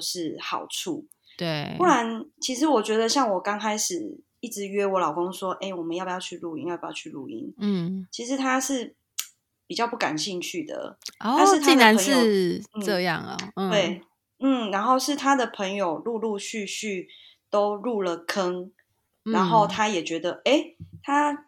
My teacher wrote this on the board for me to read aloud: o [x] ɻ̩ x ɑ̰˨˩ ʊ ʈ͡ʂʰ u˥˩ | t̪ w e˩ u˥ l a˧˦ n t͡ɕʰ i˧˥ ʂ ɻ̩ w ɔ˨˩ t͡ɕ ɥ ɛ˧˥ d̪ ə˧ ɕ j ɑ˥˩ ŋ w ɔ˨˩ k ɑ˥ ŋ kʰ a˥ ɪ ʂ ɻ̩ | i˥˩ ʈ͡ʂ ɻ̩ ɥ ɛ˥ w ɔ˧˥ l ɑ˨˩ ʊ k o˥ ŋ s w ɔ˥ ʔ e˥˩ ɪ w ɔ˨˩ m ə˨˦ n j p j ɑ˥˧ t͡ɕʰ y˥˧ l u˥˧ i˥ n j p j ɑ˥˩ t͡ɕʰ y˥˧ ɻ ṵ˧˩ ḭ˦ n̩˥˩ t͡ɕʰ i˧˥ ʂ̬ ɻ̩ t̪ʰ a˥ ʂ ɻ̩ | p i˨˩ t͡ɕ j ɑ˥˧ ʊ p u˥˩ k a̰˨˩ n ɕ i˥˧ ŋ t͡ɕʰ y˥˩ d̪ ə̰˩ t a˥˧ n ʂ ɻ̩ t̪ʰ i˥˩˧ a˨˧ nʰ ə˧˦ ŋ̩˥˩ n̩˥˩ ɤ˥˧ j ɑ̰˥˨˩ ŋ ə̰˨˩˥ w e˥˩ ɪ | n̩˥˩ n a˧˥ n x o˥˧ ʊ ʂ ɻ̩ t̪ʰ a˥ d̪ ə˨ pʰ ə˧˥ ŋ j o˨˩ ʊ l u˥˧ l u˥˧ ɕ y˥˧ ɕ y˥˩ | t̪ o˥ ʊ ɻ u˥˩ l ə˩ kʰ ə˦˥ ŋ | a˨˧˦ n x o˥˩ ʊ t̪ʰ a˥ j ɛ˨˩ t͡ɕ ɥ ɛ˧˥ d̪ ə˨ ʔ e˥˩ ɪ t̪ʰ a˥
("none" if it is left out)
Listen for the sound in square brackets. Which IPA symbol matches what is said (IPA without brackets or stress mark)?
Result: ʂ